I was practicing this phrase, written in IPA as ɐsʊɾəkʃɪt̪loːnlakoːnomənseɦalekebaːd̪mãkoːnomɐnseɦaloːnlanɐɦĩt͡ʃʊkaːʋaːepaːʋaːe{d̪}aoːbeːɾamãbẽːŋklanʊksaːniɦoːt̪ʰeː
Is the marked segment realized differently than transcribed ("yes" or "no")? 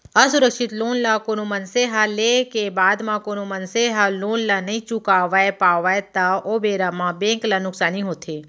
yes